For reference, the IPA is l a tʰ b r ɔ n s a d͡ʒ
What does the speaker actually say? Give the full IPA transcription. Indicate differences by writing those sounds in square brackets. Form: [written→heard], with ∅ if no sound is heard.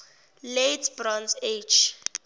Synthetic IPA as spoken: l [a→e] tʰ b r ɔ n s [a→e] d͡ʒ

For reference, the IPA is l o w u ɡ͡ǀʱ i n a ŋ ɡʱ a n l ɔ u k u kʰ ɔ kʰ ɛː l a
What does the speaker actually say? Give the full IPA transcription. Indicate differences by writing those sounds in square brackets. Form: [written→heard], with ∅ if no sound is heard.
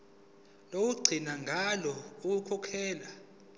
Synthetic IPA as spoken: l o w u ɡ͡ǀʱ i n a ŋ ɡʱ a [n→∅] l ɔ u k u kʰ ɔ kʰ ɛː l a

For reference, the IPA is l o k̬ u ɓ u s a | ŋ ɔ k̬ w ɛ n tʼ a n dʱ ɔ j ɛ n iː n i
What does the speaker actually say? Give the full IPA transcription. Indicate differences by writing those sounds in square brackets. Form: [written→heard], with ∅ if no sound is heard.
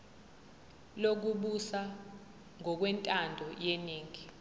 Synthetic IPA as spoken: l o k̬ u ɓ u s a | ŋ ɔ k̬ w ɛ n tʼ a n dʱ ɔ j ɛ n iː [n→ŋ] i

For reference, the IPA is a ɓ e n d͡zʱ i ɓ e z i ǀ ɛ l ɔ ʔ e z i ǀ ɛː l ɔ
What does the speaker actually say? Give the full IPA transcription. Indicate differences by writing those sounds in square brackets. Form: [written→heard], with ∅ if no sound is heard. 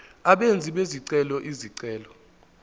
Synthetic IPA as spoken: a ɓ e n d͡zʱ i ɓ e z i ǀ ɛ l ɔ ʔ [e→i] z i ǀ ɛː l ɔ

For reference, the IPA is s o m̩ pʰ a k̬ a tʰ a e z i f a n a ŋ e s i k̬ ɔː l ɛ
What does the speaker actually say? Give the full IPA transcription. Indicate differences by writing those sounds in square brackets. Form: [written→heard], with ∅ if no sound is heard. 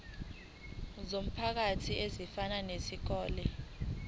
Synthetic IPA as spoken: [s→z] o m̩ pʰ a k̬ a tʰ [a→i] e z i f a n a [ŋ→n] e s i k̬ ɔː l ɛ

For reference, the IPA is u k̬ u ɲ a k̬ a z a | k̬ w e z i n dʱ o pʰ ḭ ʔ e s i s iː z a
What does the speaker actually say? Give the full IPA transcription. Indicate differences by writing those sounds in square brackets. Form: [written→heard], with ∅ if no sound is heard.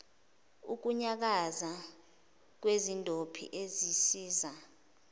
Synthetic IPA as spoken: u k̬ u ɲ a k̬ a z a | k̬ w e z i n dʱ o pʰ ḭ ʔ e [s→z] i s iː z a

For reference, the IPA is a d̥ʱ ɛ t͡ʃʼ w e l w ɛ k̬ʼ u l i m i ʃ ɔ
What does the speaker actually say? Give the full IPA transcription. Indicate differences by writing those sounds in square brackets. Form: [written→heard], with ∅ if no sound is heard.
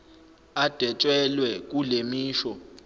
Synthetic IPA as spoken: a d̥ʱ ɛ t͡ʃʼ w [e→ɛ] l w ɛ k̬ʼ u l [i→e] m [i→iː] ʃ ɔ

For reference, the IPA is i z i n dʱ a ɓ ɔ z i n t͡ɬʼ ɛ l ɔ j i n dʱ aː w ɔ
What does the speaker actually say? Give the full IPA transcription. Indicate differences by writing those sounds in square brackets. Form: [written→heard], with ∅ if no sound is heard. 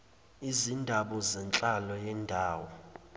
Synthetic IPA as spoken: i z i n dʱ a ɓ ɔ z [i→ɛ] n t͡ɬʼ [ɛ→a] l ɔ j [i→ɛ] n dʱ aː w ɔ

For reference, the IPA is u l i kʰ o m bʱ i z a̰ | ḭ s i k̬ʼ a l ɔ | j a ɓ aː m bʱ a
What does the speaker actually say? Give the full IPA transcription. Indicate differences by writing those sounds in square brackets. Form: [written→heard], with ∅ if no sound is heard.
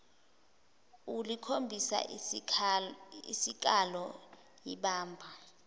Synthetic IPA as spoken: u l i kʰ o m bʱ i [z→s] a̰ | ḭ s i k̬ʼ a l ɔ | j [a→i] ɓ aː m bʱ a

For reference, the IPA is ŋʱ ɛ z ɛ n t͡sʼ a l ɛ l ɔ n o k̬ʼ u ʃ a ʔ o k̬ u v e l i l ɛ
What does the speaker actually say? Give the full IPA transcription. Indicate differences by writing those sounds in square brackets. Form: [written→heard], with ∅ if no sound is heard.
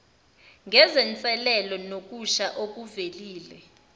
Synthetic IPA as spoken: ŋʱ ɛ z ɛ n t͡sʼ [a→ɛ] l ɛ l ɔ n o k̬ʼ u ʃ a ʔ o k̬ u v e l [i→iː] l ɛ

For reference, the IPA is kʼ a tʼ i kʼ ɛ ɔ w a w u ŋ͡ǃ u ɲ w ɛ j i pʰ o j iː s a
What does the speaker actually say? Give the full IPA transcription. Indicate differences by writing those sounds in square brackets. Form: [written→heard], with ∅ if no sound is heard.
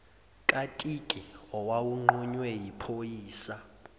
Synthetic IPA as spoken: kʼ a tʼ i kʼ [ɛ→i] ɔ w a w u ŋ͡ǃ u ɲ w ɛ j i pʰ o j iː s a

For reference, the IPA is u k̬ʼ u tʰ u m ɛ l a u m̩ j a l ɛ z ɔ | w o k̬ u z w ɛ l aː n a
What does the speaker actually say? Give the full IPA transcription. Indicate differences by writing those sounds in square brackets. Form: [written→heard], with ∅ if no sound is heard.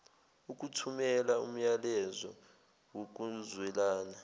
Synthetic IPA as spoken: u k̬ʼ u tʰ u m ɛ l a u m̩ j a l ɛ z ɔ | w o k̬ u z w ɛ l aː n a

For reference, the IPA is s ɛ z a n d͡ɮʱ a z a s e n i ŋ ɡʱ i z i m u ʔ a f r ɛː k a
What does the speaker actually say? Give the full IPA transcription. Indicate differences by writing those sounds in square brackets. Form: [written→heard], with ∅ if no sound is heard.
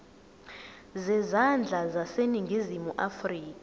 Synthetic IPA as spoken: [s→z] ɛ z a n d͡ɮʱ a z a s e n i ŋ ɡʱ i z i m u ʔ a f r [ɛː→iː] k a

